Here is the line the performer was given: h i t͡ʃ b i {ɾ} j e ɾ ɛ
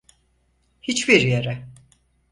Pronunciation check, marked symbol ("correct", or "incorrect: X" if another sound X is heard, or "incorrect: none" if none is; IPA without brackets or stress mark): correct